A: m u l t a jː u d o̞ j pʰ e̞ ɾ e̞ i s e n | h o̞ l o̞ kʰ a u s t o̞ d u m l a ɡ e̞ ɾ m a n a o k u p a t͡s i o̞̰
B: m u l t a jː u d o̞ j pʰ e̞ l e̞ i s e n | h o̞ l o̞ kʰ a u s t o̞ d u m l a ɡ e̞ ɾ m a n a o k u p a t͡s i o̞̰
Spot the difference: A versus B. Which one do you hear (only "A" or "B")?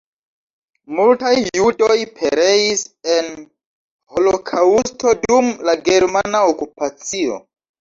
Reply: A